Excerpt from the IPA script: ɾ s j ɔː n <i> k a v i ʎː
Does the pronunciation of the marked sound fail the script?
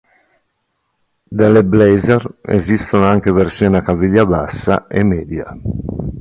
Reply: yes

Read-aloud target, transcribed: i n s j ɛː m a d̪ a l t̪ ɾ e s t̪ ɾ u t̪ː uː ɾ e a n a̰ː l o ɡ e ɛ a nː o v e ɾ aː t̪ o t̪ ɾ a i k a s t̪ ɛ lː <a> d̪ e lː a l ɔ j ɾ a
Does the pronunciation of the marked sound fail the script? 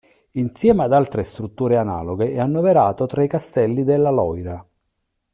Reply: yes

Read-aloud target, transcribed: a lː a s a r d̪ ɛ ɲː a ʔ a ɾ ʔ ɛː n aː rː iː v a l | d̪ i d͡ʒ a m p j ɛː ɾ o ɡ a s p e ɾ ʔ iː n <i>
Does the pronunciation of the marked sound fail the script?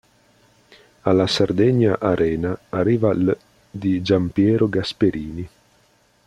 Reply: no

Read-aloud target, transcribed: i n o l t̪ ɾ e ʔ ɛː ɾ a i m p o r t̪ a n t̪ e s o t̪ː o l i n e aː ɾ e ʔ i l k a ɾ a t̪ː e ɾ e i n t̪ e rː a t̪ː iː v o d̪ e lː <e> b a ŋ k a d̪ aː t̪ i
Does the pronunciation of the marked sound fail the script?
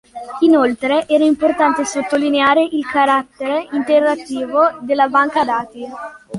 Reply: yes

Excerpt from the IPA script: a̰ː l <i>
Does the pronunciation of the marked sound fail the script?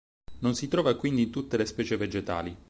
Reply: no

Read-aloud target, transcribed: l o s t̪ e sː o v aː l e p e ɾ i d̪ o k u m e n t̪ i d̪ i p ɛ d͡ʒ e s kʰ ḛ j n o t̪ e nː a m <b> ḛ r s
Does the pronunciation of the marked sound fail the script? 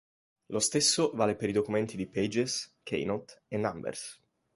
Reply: no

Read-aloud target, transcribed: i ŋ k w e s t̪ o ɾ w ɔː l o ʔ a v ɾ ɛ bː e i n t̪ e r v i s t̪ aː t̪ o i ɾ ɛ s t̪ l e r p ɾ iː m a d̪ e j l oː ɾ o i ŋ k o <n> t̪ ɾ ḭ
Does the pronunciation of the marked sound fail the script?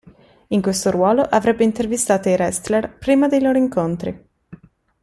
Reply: no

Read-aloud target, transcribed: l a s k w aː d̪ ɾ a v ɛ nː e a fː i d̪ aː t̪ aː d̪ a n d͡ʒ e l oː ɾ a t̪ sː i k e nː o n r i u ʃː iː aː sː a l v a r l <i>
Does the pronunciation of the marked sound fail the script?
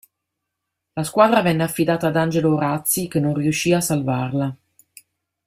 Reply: yes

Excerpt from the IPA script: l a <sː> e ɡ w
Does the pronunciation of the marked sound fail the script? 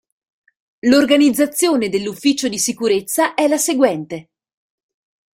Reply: yes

